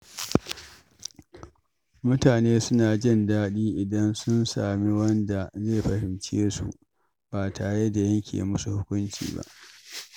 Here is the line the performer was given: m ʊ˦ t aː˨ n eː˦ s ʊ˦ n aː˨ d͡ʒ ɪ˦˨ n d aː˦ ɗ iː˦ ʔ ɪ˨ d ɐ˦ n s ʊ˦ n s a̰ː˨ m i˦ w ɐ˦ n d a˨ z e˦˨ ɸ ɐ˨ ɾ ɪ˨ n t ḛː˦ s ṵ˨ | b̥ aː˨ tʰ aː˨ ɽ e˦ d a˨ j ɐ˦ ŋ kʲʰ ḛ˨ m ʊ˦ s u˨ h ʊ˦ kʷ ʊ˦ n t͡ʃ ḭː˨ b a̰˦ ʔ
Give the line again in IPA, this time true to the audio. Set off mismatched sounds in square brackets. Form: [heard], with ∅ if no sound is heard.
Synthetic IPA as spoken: m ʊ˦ t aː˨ n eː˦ s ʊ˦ n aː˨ d͡ʒ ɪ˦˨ n d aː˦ ɗ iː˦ ʔ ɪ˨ d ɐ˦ n s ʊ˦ n s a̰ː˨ m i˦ w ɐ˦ n d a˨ z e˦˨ ɸ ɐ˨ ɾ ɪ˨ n [t͡ʃ] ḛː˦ s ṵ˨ | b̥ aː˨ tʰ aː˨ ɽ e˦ d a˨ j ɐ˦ ŋ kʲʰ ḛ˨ m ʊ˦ s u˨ h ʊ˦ kʷ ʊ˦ n t͡ʃ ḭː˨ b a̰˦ ʔ